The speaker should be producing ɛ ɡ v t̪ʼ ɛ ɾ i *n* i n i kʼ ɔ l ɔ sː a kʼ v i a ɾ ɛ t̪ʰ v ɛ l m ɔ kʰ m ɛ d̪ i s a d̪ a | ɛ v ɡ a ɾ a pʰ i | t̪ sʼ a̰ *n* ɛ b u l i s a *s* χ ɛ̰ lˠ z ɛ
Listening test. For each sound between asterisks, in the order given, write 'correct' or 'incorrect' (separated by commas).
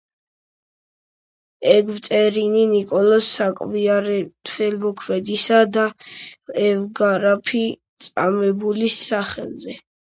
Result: correct, incorrect, incorrect